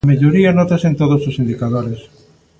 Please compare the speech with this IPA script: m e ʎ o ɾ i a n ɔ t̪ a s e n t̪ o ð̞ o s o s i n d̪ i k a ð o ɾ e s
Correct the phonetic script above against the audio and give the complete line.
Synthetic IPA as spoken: m e ʎ o ɾ i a n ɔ t̪ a s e n t̪ o ð̞ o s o s i n d̪ i k a ð o ɾ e s